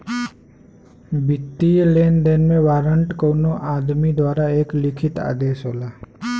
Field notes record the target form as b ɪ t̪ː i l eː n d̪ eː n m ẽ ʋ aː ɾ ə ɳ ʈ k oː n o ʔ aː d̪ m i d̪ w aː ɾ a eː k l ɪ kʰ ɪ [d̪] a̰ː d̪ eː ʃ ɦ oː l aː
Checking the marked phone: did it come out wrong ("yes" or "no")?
yes